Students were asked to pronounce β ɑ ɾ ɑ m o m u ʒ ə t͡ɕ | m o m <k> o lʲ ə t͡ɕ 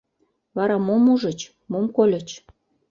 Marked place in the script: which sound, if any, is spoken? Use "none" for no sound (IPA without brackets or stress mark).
k